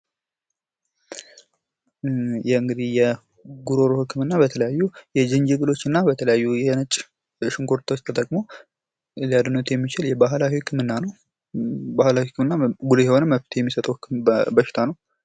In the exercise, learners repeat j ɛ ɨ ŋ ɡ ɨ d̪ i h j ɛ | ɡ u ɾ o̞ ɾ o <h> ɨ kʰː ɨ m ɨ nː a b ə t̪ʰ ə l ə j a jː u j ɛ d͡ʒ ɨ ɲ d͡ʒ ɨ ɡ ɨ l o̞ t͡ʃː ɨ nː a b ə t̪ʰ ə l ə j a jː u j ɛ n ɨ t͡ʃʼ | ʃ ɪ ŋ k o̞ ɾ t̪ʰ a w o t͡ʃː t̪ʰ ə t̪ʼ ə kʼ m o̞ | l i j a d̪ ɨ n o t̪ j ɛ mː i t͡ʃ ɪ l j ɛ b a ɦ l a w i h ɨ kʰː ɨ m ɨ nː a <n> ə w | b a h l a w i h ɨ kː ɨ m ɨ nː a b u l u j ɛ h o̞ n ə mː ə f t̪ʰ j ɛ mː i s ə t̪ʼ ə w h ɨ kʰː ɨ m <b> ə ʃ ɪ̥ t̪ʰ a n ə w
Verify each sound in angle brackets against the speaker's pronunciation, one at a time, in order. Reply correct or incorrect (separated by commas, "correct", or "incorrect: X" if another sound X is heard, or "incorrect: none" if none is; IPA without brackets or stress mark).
correct, correct, correct